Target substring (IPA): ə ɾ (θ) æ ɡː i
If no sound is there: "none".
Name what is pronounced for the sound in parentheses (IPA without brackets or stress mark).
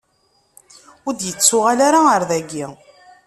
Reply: ð